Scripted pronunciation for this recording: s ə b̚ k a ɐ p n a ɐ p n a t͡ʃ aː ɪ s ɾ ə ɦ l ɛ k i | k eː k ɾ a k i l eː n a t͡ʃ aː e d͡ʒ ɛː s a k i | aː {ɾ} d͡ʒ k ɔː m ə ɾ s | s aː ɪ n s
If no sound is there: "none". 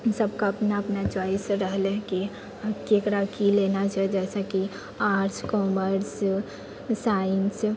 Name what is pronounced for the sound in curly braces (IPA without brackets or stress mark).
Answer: ɾ